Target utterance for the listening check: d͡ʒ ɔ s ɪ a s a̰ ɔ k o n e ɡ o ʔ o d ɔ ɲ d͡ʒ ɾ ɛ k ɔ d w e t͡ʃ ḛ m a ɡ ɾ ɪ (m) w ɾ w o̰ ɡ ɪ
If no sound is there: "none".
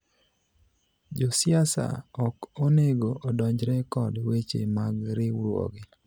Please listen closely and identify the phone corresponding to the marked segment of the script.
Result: none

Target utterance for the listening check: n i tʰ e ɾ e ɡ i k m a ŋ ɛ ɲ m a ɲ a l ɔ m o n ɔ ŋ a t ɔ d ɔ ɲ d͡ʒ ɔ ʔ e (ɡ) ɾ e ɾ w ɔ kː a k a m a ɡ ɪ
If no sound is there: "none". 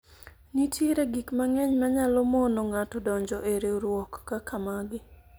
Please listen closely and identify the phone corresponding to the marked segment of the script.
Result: none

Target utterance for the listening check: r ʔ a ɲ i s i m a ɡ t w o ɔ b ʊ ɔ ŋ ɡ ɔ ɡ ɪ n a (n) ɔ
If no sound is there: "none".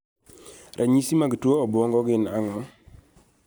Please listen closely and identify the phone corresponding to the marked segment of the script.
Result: ŋ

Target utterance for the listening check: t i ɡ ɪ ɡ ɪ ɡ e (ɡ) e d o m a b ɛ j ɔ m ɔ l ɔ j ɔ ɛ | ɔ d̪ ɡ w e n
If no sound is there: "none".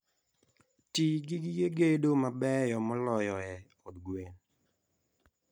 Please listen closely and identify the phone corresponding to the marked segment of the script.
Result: ɡ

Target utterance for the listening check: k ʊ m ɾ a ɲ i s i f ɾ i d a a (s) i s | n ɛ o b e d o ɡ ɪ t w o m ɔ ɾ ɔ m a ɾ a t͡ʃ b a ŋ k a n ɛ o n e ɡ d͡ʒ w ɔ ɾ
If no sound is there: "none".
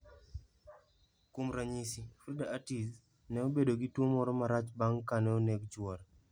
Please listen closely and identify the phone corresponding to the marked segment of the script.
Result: t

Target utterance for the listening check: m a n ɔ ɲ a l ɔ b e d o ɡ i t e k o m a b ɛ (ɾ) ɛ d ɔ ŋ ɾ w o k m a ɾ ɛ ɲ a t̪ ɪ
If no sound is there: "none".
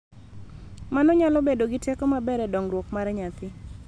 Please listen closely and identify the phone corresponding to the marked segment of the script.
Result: ɾ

